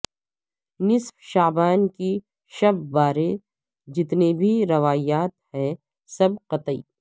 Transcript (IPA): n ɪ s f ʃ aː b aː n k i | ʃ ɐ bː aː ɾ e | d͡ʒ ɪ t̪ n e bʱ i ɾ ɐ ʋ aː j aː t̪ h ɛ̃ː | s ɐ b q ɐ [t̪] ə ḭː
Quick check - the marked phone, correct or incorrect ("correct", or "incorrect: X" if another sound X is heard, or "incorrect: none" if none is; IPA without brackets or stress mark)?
correct